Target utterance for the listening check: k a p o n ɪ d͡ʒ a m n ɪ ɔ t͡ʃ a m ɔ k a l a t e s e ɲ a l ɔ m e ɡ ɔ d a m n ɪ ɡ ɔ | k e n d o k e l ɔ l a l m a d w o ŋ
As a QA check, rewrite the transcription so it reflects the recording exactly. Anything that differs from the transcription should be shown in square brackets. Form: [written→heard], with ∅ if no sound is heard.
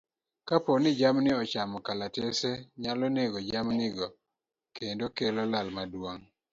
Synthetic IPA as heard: k a p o n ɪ d͡ʒ a m n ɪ ɔ t͡ʃ a m ɔ k a l a t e s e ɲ a l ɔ [m→n] e ɡ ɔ [d→d͡ʒ] a m n ɪ ɡ ɔ | k e n d o k e l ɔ l a l m a d w o ŋ